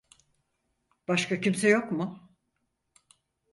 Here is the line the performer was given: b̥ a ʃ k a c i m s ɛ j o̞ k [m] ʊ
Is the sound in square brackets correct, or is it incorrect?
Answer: correct